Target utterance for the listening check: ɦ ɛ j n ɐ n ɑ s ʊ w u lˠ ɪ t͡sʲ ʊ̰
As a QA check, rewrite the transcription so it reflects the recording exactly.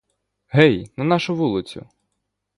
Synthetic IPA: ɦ ɛ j n ɐ n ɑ ʃ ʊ ʋ u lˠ ɪ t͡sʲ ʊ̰

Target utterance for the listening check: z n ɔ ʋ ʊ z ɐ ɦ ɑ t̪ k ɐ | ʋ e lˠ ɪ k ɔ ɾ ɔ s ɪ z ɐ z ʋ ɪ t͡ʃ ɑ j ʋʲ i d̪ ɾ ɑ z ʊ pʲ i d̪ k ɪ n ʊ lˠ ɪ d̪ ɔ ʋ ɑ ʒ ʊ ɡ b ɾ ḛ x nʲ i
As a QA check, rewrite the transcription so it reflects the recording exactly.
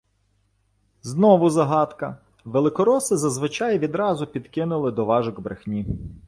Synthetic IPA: z n ɔ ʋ ʊ z ɐ ɦ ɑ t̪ k ɐ | ʋ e lˠ ɪ k ɔ ɾ ɔ s ɪ z ɐ z ʋ ɪ t͡ʃ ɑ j ʋʲ i d̪ ɾ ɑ z ʊ pʲ i d̪ k ɪ n ʊ lˠ ɪ d̪ ɔ ʋ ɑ ʒ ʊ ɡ b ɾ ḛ x nʲ i

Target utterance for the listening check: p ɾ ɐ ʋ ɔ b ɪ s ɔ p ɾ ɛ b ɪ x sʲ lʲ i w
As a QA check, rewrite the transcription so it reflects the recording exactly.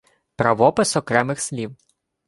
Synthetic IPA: p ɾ ɐ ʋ ɔ p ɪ s ɔ k ɾ ɛ m ɪ x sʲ lʲ i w

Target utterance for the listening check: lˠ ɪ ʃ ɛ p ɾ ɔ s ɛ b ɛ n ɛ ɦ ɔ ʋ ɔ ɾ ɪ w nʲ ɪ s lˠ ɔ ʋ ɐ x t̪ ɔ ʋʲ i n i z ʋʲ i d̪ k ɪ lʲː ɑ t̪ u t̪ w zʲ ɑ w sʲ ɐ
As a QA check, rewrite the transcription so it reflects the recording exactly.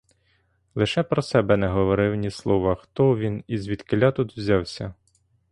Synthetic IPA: lˠ ɪ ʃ ɛ p ɾ ɔ s ɛ b ɛ n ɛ ɦ ɔ ʋ ɔ ɾ ɪ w nʲ i s lˠ ɔ ʋ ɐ x t̪ ɔ ʋʲ i n i z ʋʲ i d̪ k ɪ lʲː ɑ t̪ u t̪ w zʲ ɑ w sʲ ɐ

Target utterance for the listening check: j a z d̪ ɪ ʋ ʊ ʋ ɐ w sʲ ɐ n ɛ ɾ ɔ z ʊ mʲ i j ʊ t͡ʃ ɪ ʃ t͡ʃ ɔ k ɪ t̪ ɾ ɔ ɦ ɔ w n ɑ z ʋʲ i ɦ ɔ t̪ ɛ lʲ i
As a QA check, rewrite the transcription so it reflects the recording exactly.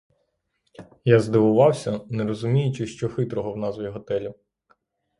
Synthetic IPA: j a z d̪ ɪ ʋ ʊ ʋ ɑ w sʲ ɐ n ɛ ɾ ɔ z ʊ mʲ i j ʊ t͡ʃ ɪ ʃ t͡ʃ ɔ x ɪ t̪ ɾ ɔ ɦ ɔ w n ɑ z ʋʲ i ɦ ɔ t̪ ɛ lʲ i

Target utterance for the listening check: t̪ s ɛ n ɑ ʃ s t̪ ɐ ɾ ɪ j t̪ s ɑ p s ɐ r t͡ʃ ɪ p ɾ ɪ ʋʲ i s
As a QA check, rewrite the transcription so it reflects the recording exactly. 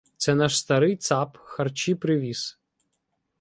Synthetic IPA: t̪ s ɛ n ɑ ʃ s t̪ ɐ ɾ ɪ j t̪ s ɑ p x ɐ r t͡ʃ i p ɾ ɪ ʋʲ i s

